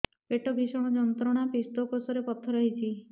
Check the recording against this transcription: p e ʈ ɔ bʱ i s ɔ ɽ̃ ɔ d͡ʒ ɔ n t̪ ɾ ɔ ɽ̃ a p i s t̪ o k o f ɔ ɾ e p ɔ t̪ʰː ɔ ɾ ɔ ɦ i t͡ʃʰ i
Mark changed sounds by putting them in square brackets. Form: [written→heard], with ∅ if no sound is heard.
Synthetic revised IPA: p e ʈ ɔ bʱ i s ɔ ɽ̃ ɔ d͡ʒ ɔ n t̪ ɾ ɔ ɽ̃ a p i s t̪ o k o [f→s] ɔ ɾ e p ɔ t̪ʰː ɔ ɾ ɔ ɦ i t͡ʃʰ i

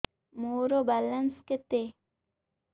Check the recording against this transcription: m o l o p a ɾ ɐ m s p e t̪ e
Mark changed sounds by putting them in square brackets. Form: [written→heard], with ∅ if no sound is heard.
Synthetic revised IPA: m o [l→ɾ] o [p→b] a [ɾ→l] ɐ [m→n] s [p→k] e t̪ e

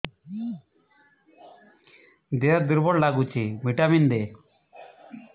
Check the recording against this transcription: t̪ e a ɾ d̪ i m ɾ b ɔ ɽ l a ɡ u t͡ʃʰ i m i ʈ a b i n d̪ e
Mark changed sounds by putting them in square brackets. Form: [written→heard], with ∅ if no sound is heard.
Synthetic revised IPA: [t̪→d̪] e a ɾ d̪ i [m→∅] ɾ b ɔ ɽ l a ɡ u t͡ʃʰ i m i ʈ a [b→m] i n d̪ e

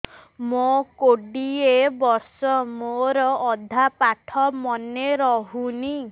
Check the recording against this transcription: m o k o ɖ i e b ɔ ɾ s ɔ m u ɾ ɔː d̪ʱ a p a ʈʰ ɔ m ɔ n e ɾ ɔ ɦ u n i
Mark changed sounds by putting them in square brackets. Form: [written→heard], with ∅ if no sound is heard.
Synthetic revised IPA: m o k o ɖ i e b ɔ ɾ s ɔ m [u→o] ɾ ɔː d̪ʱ a p a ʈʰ ɔ m ɔ n e ɾ ɔ ɦ u n i

